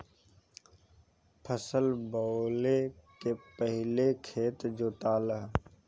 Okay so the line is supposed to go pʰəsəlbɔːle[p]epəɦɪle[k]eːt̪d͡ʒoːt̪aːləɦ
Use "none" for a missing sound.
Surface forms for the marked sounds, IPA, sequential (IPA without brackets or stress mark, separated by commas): k, kʰ